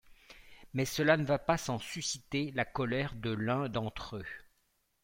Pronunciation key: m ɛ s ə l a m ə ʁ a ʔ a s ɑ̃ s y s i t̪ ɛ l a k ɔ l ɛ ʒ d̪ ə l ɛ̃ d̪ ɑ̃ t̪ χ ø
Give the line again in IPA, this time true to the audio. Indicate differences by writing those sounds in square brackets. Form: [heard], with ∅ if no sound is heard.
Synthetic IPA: m ɛ s ə l a [n] ə [v] a [p] a s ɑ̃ s y s i t̪ [e] l a k ɔ l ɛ [ʁ] d̪ ə l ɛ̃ d̪ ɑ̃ t̪ χ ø